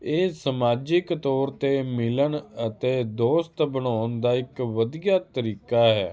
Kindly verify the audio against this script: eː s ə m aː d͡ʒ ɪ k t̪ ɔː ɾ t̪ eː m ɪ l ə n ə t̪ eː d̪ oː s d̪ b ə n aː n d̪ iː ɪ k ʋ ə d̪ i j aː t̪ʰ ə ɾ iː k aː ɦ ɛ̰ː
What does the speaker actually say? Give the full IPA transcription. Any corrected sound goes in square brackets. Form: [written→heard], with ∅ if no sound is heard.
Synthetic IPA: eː s ə m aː d͡ʒ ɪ k t̪ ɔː ɾ t̪ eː m ɪ l ə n ə t̪ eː d̪ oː s [d̪→t̪] b ə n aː n d̪ [iː→aː] ɪ k ʋ ə d̪ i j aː [t̪ʰ→t̪] ə ɾ iː k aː ɦ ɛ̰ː